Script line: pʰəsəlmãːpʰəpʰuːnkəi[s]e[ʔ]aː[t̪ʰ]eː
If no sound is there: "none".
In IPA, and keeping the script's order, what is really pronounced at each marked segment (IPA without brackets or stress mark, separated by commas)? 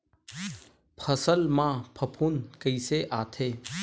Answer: s, ʔ, t̪ʰ